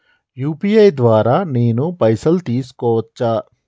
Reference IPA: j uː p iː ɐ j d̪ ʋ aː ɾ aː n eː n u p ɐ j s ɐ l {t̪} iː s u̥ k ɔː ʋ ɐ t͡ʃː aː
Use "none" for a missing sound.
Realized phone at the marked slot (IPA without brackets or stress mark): t̪